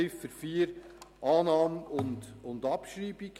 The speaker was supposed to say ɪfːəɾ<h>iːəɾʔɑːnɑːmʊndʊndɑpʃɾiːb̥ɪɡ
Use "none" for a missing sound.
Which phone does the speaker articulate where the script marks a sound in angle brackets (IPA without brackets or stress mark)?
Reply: f